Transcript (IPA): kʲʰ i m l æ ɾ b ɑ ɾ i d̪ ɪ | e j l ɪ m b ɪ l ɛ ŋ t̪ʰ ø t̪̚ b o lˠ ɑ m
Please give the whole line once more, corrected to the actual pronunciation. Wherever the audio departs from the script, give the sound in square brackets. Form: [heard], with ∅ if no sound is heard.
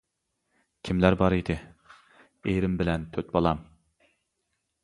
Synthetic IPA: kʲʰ i m l æ ɾ b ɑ ɾ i d̪ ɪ | e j [ɾ] ɪ m b ɪ l ɛ [n] t̪ʰ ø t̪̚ b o lˠ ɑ m